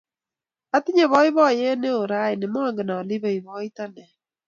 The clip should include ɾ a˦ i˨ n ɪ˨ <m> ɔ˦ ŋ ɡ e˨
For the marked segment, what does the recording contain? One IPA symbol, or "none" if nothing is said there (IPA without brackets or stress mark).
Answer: m